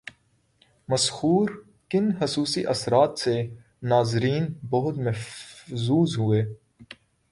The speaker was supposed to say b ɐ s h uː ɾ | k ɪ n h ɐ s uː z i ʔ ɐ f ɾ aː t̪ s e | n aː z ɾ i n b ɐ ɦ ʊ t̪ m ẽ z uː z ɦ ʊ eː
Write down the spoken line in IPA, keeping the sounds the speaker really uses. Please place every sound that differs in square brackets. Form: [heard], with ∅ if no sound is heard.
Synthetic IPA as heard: [m] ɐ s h uː ɾ | k ɪ n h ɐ s uː [s] i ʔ ɐ [s] ɾ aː t̪ s e | n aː z ɾ [iː] n b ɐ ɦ ʊ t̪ m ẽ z uː z ɦ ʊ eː

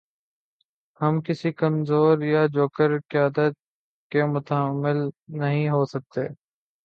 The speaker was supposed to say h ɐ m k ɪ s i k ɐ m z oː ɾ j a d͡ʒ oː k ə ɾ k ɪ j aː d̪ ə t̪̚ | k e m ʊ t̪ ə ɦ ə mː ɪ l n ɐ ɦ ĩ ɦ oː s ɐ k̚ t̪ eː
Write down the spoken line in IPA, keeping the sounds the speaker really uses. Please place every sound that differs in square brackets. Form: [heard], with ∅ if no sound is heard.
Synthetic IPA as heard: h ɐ m k ɪ s i k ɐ m z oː ɾ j a d͡ʒ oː k ə ɾ k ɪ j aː d̪ ə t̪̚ | k e m ʊ t̪ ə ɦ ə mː ɪ l n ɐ ɦ ĩ ɦ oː s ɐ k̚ t̪ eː

